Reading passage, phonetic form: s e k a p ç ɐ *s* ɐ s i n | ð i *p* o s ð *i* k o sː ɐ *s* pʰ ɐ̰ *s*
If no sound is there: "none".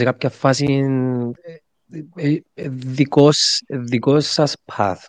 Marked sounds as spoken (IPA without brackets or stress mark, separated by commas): f, k, i, s, θ